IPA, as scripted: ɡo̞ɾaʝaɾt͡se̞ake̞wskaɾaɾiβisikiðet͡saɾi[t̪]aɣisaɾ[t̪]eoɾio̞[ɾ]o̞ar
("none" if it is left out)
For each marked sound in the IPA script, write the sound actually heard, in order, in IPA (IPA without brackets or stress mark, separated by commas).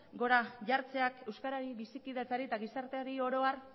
t̪, t̪, ɾ